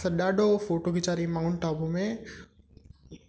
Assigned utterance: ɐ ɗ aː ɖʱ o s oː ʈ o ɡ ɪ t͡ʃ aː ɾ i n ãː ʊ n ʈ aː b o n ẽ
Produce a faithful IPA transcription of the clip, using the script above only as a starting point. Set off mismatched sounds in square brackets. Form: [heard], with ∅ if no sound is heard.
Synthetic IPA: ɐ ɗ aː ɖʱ o [f] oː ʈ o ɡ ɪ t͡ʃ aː ɾ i [m] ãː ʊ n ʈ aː b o [m] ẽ

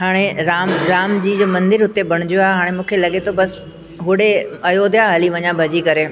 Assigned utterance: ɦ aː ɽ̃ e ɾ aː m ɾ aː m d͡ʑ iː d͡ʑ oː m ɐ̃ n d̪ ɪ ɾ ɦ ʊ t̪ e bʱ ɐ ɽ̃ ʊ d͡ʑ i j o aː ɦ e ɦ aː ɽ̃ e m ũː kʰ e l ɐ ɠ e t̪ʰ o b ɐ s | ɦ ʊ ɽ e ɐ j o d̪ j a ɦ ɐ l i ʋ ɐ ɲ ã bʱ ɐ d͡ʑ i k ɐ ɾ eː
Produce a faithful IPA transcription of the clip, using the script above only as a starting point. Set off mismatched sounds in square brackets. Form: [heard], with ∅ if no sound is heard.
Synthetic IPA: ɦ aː ɽ̃ e ɾ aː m ɾ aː m d͡ʑ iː d͡ʑ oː m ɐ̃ n d̪ ɪ ɾ ɦ ʊ t̪ e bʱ ɐ ɽ̃ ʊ d͡ʑ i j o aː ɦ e ɦ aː ɽ̃ e m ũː kʰ e l ɐ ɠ e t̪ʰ o b ɐ s | ɦ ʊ ɽ e ɐ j o d̪ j a ɦ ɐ l i ʋ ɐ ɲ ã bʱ ɐ d͡ʑ i k ɐ ɾ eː

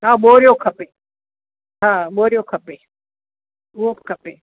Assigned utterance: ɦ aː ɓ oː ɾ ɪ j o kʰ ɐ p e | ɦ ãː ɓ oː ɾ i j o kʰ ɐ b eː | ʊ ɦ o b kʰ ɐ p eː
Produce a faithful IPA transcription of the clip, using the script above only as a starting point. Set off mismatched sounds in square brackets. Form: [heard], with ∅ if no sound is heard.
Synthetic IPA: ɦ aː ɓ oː ɾ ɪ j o kʰ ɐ p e | ɦ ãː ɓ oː ɾ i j o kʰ ɐ [p] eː | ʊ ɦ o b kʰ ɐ p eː

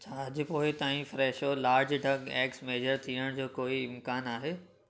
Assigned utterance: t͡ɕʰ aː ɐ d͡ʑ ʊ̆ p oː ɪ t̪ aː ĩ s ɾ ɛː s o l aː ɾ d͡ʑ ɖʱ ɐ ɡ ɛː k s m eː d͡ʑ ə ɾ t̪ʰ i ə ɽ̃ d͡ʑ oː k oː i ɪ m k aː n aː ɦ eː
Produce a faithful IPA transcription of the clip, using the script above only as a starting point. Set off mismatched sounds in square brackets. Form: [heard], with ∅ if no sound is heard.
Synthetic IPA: t͡ɕʰ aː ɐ d͡ʑ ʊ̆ p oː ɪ t̪ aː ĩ [f] ɾ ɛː [ʃ] o l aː ɾ d͡ʑ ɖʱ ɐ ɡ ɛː k s m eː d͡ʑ ə ɾ t̪ʰ i ə ɽ̃ d͡ʑ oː k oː i ɪ m k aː n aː ɦ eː

